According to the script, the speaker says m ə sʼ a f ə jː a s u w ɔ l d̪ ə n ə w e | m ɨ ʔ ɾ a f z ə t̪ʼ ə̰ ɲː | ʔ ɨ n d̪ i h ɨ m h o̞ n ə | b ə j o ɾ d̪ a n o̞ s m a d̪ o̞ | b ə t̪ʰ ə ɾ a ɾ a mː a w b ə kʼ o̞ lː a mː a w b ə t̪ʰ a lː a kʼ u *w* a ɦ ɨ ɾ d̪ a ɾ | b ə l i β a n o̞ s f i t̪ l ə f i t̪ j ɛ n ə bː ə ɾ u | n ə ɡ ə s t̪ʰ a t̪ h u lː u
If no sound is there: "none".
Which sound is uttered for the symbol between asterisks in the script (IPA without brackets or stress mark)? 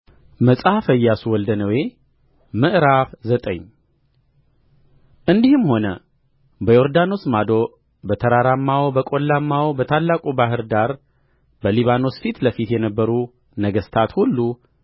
b